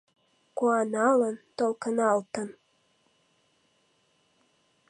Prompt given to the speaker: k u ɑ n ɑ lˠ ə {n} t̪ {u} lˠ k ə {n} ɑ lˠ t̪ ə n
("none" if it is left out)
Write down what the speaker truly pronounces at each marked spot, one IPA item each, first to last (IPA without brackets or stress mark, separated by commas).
n, o, n